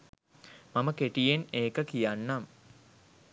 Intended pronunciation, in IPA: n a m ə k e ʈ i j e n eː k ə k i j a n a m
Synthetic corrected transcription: m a m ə k e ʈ i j e n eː k ə k i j a nː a m